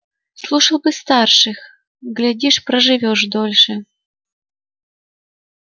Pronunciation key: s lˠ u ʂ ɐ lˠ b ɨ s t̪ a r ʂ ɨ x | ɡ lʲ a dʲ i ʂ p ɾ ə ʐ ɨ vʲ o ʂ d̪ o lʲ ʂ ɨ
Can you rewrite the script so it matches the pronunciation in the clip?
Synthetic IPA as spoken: s lˠ u ʂ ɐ lˠ b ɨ s t̪ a r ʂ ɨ x | ɡ lʲ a dʲ i ʂ p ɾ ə ʐ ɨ vʲ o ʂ d̪ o lʲ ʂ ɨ